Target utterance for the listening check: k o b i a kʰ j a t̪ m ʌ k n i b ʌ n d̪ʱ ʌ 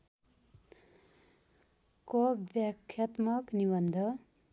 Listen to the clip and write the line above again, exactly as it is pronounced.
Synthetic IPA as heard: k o b j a kʰ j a t̪ m ʌ k n i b ʌ n d̪ʱ ʌ